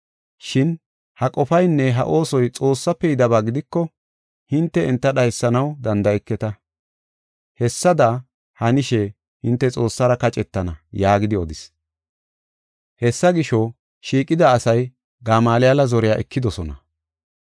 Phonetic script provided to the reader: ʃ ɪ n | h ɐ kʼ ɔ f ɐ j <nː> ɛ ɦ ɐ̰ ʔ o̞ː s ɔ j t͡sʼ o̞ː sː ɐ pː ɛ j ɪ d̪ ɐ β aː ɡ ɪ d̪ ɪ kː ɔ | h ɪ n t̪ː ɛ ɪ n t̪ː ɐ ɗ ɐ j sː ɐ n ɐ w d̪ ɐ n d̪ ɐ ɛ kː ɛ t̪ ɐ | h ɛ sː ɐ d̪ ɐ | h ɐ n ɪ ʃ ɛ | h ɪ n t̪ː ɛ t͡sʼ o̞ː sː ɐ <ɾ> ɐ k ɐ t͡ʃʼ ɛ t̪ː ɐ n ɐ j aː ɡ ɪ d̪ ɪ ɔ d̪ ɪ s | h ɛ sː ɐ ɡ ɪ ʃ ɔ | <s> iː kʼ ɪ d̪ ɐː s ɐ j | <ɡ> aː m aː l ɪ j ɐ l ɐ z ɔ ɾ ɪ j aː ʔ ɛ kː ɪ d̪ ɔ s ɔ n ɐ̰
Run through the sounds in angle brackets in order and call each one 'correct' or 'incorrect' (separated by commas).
correct, correct, incorrect, correct